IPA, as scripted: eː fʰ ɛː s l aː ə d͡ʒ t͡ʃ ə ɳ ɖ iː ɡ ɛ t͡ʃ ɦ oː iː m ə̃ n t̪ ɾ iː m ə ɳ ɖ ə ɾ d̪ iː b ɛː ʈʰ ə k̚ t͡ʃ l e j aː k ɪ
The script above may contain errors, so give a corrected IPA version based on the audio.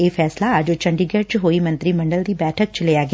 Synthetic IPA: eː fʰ ɛː s l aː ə d͡ʒ t͡ʃ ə ɳ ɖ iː ɡ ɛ t͡ʃ ɦ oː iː m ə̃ n t̪ ɾ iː m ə ɳ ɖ ə l d̪ iː b ɛː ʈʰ ə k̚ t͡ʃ l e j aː ɡ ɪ

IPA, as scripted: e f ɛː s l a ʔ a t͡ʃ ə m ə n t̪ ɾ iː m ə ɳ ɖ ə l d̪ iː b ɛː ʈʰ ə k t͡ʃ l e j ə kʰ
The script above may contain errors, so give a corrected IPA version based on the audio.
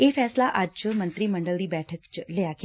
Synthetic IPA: e f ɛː s l a ʔ a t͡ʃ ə m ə n t̪ ɾ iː m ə ɳ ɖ ə l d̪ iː b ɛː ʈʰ ə k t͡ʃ l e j a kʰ

